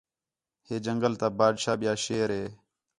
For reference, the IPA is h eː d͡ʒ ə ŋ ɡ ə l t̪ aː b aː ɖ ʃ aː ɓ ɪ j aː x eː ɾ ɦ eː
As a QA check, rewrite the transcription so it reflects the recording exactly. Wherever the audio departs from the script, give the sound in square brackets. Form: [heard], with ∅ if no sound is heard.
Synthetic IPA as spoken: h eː d͡ʒ ə ŋ ɡ ə l t̪ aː b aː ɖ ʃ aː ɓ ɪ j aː [ʃ] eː ɾ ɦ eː